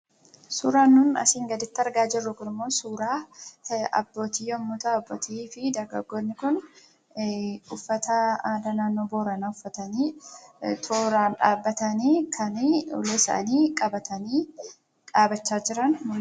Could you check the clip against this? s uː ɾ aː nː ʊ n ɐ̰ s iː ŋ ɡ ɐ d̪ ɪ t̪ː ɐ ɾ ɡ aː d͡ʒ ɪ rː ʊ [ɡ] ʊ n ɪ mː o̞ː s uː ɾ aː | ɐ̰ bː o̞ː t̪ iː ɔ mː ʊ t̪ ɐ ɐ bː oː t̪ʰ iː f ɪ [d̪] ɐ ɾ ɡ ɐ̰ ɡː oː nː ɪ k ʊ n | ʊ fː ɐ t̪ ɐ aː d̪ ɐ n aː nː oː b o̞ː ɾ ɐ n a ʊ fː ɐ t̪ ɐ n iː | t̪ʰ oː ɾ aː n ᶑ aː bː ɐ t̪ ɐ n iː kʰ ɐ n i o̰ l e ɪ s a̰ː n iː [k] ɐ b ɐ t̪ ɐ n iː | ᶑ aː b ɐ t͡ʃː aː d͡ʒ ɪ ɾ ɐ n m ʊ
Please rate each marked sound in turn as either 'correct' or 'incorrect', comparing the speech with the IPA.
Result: incorrect, correct, incorrect

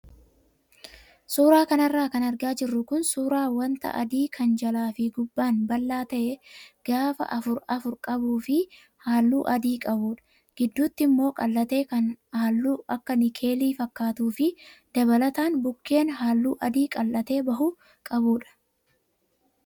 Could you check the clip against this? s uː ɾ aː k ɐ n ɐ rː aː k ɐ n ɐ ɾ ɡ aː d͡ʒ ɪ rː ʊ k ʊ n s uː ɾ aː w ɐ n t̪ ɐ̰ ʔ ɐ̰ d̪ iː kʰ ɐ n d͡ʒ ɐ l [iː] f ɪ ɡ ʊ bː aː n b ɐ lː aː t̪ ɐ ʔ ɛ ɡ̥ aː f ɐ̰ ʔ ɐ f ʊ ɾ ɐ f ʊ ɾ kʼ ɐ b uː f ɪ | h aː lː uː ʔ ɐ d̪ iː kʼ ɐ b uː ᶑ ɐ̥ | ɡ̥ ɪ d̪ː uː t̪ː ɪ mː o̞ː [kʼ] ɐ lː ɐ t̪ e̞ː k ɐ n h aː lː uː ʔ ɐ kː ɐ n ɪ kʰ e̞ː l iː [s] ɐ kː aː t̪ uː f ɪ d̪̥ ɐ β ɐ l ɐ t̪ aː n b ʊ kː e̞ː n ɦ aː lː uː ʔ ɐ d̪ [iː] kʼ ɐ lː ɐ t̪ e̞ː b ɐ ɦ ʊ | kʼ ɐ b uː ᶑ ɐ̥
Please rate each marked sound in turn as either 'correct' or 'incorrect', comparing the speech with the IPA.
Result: incorrect, correct, incorrect, correct

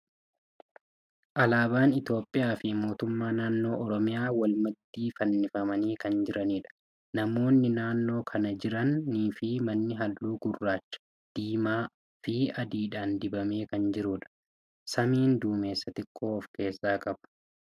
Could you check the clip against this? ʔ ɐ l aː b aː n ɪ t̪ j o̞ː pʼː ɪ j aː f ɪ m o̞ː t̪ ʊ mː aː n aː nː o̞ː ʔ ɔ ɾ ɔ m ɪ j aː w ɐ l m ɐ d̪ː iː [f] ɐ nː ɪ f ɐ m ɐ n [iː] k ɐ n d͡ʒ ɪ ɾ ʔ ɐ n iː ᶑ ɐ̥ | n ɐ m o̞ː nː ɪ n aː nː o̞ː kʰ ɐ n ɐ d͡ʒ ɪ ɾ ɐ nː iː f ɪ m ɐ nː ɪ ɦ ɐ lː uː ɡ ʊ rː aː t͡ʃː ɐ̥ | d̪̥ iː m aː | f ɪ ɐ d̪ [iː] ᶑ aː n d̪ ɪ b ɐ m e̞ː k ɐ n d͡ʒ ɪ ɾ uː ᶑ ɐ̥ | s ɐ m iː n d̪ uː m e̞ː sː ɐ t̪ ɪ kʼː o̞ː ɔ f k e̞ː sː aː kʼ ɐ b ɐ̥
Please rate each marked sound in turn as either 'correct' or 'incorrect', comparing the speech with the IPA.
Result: correct, correct, correct

